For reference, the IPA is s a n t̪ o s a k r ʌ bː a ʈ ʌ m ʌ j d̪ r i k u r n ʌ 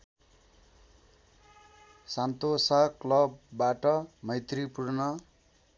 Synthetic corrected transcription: s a n t̪ o s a k l ʌ bː a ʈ ʌ m ʌ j t̪ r i p u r n ʌ